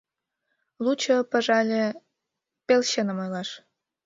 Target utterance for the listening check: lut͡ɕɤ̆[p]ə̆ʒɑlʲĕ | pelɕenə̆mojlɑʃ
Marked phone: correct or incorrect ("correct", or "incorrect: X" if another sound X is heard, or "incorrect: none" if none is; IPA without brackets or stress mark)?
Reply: correct